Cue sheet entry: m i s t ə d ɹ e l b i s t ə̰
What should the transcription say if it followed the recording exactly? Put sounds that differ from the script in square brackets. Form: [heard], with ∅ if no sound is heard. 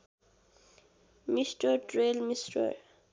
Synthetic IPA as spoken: m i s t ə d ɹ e l [m] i s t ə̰